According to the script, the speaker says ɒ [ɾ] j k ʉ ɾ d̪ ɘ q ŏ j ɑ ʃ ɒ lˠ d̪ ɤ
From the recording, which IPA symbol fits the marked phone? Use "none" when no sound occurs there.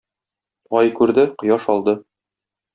none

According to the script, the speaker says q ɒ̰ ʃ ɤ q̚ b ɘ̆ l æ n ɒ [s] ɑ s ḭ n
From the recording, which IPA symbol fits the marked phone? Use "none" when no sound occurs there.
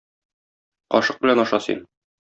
ʃ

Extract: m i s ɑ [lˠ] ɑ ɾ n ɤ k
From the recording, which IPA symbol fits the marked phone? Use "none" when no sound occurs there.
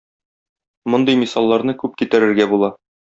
lˠː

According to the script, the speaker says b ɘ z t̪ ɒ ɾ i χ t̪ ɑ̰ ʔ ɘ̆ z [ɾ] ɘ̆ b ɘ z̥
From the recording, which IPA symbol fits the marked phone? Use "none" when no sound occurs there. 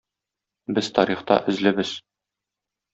l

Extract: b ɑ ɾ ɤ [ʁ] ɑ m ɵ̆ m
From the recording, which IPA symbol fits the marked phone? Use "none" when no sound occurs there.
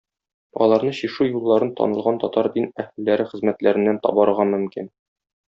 ʁ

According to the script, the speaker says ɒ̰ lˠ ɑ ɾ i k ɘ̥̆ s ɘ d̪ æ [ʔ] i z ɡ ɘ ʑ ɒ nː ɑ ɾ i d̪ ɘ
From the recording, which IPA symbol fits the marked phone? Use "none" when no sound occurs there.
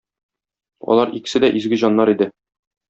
ʔ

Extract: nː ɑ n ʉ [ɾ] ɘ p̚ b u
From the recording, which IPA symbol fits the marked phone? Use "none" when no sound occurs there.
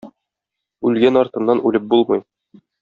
l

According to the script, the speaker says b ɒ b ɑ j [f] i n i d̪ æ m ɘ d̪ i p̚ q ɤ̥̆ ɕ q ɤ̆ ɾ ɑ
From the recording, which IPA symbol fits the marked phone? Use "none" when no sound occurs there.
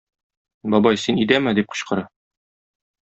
s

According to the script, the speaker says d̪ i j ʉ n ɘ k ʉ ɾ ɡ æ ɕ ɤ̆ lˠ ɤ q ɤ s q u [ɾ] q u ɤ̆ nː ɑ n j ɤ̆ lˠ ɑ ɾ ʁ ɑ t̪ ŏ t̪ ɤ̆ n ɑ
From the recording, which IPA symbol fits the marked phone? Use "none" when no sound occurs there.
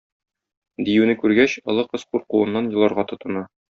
ɾ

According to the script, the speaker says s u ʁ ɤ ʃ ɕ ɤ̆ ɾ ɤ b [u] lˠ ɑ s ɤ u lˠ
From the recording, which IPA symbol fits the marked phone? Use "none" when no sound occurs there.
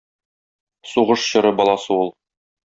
ɒ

